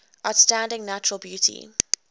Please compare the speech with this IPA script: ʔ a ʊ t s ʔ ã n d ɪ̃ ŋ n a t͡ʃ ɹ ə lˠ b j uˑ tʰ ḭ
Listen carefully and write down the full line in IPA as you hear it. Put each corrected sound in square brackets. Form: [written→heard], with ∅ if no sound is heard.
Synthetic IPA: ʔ a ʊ t s [ʔ→t] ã n d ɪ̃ ŋ n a t͡ʃ ɹ ə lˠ b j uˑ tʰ ḭ